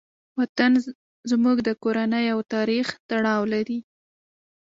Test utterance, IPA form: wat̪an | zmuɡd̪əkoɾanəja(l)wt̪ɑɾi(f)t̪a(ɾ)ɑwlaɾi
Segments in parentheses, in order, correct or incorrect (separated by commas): incorrect, incorrect, incorrect